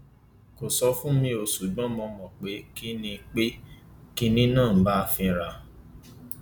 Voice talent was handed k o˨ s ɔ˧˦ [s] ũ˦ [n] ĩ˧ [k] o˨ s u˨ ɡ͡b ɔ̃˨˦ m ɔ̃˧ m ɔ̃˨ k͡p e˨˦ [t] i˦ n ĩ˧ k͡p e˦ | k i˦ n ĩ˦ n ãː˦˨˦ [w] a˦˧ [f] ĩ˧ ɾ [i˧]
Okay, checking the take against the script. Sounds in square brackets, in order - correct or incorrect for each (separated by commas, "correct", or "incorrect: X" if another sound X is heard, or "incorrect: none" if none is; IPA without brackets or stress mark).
incorrect: f, incorrect: m, incorrect: none, incorrect: k, incorrect: b, correct, incorrect: a˧